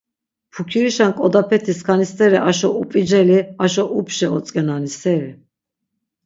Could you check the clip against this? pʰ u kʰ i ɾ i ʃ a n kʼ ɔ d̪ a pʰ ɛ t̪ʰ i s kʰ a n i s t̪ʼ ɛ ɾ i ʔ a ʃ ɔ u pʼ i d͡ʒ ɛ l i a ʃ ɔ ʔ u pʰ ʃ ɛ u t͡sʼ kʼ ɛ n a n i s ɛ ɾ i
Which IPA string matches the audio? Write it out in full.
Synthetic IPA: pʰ u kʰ i ɾ i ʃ a n kʼ ɔ d̪ a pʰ ɛ t̪ʰ i s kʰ a n i s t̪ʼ ɛ ɾ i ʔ a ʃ ɔ u pʼ i d͡ʒ ɛ l i a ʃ ɔ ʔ u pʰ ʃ ɛ ɔ t͡sʼ kʼ ɛ n a n i s ɛ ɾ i